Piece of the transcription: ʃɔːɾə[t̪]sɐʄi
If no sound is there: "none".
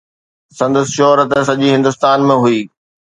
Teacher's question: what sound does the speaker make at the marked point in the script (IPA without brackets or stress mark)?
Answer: t̪